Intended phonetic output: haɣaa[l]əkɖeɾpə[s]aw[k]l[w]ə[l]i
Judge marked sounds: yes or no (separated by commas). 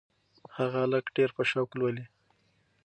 yes, no, yes, yes, yes